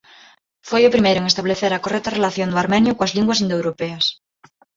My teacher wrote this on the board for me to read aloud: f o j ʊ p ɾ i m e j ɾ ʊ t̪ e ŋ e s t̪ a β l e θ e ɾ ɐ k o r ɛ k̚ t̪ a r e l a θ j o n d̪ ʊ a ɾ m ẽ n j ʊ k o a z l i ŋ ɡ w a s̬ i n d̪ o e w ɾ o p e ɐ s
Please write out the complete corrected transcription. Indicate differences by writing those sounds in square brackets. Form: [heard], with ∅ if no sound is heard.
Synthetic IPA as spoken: f o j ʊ p ɾ i m e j ɾ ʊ [∅] e ŋ e s t̪ a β l e θ e ɾ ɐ k o r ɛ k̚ t̪ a r e l a θ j o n d̪ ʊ a ɾ m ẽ n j ʊ k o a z l i ŋ ɡ w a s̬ i n d̪ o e w ɾ o p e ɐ s

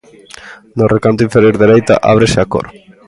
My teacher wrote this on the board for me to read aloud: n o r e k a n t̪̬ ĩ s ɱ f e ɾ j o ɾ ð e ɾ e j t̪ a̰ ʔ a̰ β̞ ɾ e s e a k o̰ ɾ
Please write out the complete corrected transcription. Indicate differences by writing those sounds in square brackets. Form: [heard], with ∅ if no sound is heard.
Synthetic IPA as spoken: n o r e k a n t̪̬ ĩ [∅] ɱ f e ɾ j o ɾ ð e ɾ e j t̪ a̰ ʔ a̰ β̞ ɾ e s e a k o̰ ɾ

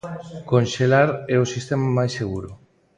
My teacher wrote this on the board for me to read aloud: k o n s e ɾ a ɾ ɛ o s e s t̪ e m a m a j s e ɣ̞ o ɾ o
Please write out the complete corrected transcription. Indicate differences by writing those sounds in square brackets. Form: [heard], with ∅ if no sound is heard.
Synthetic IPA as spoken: k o n [ʃ] e [l] a ɾ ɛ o s [i] s t̪ e m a m a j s e ɣ̞ [u] ɾ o

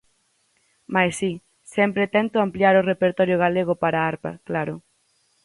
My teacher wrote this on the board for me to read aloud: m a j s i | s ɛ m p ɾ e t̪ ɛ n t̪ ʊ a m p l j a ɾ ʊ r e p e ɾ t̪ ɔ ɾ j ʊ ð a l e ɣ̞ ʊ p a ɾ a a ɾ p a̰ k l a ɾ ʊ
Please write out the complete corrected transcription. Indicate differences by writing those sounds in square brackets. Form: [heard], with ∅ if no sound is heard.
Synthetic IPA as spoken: m a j s i | s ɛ m p ɾ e t̪ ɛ n t̪ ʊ a m p l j a ɾ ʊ r e p e ɾ t̪ ɔ ɾ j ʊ [ɣ] a l e ɣ̞ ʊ p a ɾ a a ɾ p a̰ k l a ɾ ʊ

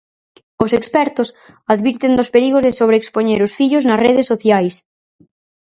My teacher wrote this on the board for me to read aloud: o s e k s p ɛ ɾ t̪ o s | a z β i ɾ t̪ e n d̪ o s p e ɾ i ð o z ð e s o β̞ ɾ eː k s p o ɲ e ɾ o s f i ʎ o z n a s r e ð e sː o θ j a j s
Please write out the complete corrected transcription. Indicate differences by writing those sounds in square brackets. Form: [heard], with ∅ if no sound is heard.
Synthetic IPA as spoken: o s e k s p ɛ ɾ t̪ o s | a [ð] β i ɾ t̪ e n d̪ o s p e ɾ i [ɣ] o z ð e s o β̞ ɾ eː k s p o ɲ e ɾ o s f i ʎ o z n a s r e ð e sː o θ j a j s

